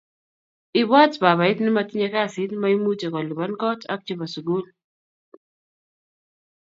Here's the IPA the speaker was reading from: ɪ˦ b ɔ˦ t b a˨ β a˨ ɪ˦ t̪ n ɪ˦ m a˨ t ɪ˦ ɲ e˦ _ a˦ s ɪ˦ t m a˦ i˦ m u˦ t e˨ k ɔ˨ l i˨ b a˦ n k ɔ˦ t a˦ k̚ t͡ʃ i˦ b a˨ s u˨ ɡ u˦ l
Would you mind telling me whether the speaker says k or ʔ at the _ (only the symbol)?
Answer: k